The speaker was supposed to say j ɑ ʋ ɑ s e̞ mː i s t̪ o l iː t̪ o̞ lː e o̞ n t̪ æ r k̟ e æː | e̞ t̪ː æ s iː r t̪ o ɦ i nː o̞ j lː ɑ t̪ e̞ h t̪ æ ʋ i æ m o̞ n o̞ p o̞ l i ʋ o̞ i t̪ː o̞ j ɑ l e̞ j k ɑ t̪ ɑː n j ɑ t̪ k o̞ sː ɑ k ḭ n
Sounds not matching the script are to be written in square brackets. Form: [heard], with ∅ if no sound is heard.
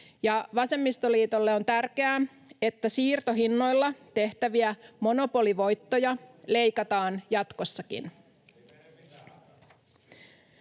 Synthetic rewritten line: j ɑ ʋ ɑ s e̞ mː i s t̪ o l iː t̪ o̞ lː e o̞ n t̪ æ r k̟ e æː | e̞ t̪ː æ s iː r t̪ o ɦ i nː o̞ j lː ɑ t̪ e̞ h t̪ æ ʋ i æ m o̞ n o̞ p o̞ l i ʋ o̞ [j] t̪ː o̞ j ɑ l e̞ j k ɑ t̪ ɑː n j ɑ t̪ k o̞ sː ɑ k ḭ n